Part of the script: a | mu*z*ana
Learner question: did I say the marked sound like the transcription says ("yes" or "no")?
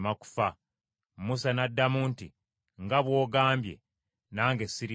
no